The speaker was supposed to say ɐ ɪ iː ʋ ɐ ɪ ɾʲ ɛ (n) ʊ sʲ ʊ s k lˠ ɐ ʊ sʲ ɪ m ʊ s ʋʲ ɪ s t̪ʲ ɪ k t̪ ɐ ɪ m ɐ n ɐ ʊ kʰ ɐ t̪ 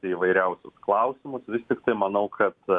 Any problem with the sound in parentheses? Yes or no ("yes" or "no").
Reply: yes